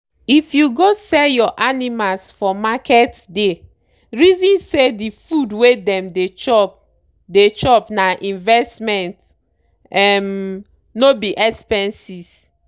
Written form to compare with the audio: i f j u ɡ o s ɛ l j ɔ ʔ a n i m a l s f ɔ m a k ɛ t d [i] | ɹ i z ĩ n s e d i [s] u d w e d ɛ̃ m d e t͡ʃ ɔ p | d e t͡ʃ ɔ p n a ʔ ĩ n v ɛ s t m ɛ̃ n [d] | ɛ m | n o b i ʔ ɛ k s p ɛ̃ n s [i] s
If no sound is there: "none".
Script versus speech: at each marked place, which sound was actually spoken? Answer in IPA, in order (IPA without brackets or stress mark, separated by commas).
e, f, t, i